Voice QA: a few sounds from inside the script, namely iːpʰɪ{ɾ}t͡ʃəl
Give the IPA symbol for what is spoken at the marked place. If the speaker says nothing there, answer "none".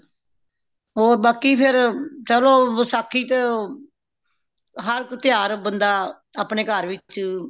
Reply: ɾ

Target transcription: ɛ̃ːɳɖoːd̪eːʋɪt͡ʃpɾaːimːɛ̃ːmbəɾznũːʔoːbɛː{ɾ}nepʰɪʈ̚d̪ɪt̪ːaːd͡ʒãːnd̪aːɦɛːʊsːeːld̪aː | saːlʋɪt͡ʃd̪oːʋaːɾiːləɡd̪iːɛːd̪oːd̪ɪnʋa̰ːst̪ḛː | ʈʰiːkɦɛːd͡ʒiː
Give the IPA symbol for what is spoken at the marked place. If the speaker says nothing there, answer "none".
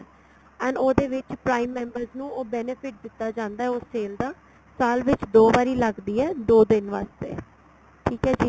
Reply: none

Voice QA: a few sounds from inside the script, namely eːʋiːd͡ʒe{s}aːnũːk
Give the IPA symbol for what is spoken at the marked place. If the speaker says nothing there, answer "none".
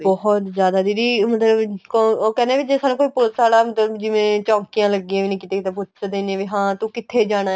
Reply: s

